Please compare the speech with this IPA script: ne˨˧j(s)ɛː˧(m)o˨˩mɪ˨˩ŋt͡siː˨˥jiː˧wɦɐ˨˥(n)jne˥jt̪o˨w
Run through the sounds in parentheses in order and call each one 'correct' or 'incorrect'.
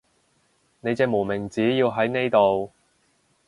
incorrect, correct, incorrect

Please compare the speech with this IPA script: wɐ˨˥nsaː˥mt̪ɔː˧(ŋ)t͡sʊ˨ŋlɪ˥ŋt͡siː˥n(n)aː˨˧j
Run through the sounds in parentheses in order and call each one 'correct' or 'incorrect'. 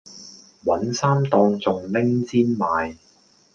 correct, incorrect

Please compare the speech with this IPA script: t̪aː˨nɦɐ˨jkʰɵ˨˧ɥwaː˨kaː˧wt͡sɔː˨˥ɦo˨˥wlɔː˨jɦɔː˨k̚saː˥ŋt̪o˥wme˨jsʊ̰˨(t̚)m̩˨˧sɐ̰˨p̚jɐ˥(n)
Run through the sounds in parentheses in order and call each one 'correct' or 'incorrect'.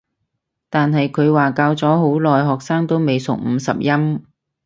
incorrect, incorrect

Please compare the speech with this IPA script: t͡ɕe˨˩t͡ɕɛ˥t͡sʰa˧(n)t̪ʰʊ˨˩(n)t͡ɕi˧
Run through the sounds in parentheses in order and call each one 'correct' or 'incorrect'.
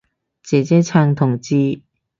incorrect, incorrect

